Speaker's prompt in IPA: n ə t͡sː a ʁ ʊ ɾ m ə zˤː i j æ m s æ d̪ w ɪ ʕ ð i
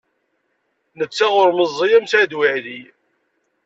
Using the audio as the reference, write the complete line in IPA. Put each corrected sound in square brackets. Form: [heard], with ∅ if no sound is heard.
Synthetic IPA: n ə t͡sː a ʁ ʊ ɾ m ə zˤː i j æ m s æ d̪ w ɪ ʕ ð i